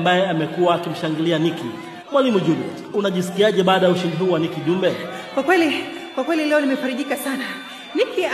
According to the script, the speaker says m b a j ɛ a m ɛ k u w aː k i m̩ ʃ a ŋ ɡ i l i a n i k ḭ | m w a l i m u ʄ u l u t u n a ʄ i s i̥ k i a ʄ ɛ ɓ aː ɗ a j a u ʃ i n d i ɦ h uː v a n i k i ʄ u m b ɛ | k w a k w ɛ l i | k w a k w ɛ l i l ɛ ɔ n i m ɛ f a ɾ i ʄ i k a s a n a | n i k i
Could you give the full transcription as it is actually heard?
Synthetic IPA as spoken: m b a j ɛ a m ɛ k u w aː k i m̩ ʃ a ŋ ɡ i l i a n i k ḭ | m w a l i m u ʄ u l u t u n a ʄ i s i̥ k i a ʄ ɛ ɓ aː ɗ a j a u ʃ i n d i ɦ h uː w a n i k i ʄ u m b ɛ | k w a k w ɛ l i | k w a k w ɛ l i l ɛ ɔ n i m ɛ f a ɾ i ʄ i k a s a n a | n i k i